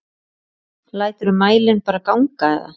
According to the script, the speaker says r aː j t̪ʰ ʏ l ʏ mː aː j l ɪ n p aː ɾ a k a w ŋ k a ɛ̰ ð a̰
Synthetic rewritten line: l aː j t̪ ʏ ɾ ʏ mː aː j l ɪ n p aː ɾ a k a w ŋ k a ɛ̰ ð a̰